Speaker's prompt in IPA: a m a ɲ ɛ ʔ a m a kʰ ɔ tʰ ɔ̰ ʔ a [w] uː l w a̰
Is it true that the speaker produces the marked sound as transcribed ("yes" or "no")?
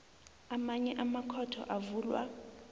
no